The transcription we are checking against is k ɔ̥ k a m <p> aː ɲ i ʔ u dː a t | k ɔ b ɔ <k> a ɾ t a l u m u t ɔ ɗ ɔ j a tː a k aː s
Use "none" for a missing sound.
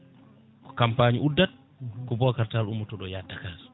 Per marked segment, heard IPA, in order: p, k

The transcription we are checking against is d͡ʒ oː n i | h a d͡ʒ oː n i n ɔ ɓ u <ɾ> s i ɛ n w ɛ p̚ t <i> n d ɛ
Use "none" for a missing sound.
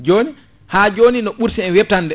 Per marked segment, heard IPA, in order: ɾ, a

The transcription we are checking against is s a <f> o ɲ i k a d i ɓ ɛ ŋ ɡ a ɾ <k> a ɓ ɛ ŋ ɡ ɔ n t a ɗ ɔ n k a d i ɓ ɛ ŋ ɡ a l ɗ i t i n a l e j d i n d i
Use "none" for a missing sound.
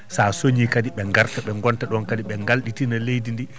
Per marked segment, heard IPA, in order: s, t

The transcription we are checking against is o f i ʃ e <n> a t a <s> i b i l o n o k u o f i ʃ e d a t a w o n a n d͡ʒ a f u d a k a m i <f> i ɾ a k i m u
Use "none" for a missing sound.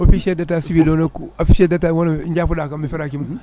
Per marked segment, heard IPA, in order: d, s, f

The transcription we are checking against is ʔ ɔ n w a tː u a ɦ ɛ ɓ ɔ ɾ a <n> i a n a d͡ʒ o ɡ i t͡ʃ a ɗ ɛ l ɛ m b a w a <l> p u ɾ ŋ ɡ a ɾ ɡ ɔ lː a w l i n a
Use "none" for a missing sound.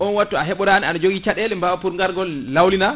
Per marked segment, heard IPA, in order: n, none

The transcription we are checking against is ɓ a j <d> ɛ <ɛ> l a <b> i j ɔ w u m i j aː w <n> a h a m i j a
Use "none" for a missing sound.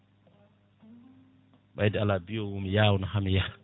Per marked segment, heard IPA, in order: d, a, b, n

